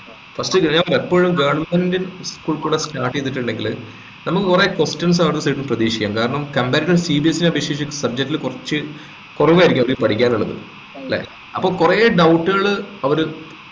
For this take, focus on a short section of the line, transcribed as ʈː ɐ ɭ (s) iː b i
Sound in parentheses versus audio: correct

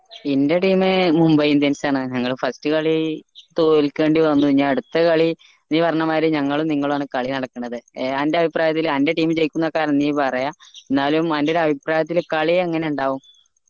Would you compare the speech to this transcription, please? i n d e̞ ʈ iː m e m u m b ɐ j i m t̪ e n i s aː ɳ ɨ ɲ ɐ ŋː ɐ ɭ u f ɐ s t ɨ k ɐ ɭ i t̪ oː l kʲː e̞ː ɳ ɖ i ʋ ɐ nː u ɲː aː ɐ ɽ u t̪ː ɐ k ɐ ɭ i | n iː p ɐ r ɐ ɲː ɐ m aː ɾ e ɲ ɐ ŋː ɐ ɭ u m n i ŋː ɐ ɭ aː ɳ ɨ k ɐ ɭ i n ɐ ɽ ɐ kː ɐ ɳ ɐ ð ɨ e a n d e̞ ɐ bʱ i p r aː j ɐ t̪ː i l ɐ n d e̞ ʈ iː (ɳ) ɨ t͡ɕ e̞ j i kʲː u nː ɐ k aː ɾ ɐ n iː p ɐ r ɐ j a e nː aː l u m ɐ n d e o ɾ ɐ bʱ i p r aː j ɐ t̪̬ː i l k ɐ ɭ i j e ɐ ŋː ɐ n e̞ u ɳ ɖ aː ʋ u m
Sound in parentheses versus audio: incorrect: m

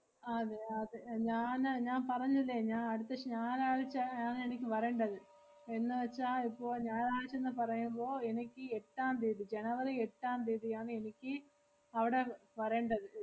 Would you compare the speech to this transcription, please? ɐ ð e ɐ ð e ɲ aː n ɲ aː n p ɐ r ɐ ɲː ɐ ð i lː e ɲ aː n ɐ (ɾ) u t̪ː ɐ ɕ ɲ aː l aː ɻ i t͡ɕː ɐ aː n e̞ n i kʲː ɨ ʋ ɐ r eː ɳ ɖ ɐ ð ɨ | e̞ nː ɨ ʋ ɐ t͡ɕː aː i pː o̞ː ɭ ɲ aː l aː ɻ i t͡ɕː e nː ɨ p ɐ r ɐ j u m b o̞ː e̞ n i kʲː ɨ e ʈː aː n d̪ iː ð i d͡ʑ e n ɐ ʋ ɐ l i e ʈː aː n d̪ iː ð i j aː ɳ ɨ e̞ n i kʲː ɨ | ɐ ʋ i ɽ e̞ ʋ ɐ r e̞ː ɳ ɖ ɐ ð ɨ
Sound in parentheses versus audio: incorrect: ɽ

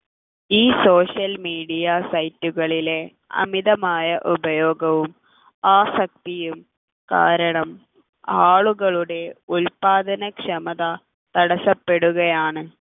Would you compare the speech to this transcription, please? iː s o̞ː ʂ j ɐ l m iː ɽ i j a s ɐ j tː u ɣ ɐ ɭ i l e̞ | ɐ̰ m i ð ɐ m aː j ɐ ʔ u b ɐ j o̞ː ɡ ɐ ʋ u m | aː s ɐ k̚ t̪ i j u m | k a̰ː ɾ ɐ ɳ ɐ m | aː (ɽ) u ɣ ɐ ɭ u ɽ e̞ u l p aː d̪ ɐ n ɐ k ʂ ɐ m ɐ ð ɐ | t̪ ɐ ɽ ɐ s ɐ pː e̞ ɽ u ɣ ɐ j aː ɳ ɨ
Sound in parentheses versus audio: incorrect: ɭ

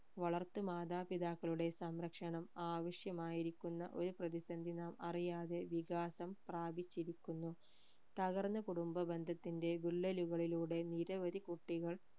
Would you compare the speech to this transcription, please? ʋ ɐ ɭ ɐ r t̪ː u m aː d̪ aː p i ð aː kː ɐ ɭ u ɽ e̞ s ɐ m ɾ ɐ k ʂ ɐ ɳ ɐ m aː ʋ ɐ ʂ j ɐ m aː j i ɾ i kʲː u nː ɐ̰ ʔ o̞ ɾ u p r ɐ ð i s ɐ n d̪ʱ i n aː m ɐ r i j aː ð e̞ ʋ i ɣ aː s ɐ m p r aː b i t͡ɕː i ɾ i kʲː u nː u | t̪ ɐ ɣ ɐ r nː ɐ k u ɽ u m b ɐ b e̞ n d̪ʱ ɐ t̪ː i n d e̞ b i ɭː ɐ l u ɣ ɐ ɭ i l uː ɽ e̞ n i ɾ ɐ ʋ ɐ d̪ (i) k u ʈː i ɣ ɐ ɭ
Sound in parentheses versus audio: correct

